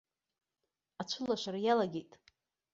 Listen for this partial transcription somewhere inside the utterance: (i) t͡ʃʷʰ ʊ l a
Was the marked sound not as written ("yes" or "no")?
yes